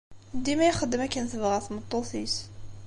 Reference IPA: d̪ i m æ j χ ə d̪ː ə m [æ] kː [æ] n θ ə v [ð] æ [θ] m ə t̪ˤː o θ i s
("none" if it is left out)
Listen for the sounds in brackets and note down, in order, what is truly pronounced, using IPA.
æ, æ, ʁ, θ

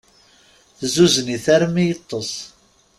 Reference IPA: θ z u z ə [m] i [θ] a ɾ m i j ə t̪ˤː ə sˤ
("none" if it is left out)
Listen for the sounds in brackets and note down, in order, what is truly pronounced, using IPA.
n, θ

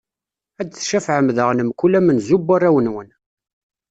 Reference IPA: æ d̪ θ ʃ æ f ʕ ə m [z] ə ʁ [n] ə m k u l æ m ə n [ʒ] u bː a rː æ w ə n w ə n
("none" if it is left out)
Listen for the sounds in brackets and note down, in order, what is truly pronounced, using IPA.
ð, n, z

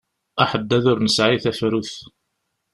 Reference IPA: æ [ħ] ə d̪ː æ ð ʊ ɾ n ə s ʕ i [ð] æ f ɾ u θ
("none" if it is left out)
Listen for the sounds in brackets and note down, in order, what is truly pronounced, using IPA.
ħ, θ

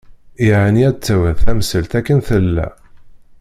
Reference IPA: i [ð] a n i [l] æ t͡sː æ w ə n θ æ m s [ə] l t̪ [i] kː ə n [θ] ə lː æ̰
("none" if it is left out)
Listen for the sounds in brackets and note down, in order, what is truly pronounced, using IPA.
ʕ, none, ə, æ, θ

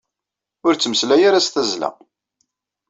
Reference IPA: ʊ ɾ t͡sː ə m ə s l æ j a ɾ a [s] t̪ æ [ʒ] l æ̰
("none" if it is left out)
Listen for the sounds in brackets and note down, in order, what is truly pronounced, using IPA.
s, z

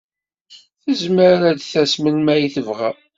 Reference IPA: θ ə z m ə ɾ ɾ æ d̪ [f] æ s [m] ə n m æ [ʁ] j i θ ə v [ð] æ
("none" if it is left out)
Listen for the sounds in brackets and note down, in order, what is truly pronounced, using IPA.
θ, m, none, ʁ

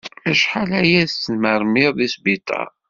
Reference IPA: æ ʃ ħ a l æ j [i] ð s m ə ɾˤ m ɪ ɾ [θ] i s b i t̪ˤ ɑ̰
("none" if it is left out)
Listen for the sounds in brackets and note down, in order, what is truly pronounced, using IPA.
æ, ð

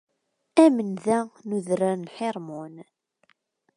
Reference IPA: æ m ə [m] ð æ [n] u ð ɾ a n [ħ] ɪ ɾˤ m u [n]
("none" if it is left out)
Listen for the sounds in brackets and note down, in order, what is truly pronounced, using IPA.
n, n, ħ, n

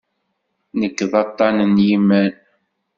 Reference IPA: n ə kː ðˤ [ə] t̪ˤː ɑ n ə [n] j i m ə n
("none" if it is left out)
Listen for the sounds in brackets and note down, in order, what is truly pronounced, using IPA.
ɑ, n

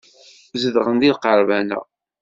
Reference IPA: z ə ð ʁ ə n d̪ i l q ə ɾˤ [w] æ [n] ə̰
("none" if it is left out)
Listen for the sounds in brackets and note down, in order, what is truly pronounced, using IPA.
v, n

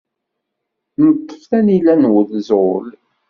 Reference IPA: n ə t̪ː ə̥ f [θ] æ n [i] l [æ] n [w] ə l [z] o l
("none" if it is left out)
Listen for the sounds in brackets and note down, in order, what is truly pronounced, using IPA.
θ, i, æ, w, z

